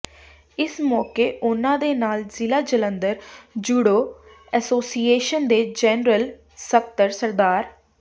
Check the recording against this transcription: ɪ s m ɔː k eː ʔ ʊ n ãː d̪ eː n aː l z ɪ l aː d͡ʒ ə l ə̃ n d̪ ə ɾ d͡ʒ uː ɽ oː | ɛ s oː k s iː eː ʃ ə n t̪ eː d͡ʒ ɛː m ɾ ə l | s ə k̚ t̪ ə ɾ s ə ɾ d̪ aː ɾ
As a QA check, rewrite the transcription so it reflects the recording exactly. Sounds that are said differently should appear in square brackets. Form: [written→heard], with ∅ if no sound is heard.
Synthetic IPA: ɪ s m ɔː k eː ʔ ʊ n ãː d̪ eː n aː l z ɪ l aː d͡ʒ ə l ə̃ n d̪ ə ɾ d͡ʒ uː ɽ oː | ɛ s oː [k→∅] s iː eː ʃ ə n [t̪→d̪] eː d͡ʒ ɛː [m→n] ɾ ə l | s ə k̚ t̪ ə ɾ s ə ɾ d̪ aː ɾ